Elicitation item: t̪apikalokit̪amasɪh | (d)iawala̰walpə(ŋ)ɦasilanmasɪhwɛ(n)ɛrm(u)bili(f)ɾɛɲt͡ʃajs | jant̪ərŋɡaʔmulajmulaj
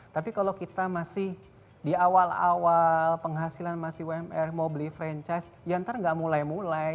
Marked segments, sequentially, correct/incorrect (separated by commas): correct, correct, incorrect, incorrect, correct